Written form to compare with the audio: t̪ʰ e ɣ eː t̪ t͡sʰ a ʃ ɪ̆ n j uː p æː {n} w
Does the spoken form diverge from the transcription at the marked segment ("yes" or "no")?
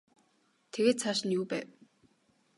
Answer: yes